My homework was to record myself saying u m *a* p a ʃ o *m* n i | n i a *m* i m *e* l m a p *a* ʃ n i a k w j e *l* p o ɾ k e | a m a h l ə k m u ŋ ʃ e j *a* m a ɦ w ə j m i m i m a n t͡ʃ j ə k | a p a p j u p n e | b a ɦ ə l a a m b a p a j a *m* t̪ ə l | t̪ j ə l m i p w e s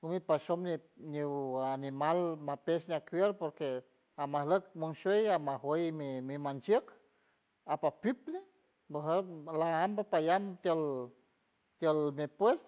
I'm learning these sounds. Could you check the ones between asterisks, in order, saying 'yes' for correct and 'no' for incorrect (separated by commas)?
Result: no, yes, no, no, no, no, yes, yes